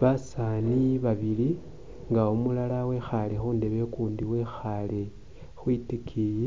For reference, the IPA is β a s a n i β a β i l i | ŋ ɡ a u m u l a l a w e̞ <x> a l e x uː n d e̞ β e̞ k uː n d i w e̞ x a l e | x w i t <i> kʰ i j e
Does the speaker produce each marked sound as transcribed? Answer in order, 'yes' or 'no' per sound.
yes, yes

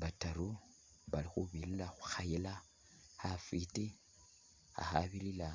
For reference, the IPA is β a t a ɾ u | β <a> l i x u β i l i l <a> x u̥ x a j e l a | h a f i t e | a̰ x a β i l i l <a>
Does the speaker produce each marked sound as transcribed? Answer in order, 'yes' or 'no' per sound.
yes, yes, yes

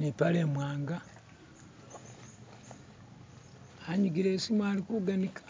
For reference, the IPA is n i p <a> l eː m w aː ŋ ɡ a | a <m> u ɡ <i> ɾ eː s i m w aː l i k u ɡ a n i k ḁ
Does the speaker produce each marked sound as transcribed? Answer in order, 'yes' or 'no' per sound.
yes, no, yes

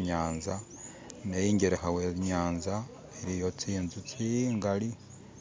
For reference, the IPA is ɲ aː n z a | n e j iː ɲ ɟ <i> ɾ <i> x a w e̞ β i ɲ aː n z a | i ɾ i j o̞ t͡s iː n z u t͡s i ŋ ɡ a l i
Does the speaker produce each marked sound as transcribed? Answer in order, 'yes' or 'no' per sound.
no, no

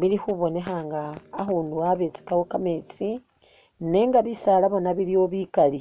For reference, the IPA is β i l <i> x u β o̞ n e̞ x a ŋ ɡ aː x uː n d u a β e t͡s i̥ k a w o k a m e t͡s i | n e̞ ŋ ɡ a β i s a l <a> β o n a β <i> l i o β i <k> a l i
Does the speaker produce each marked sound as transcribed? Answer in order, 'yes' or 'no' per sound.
yes, yes, yes, yes

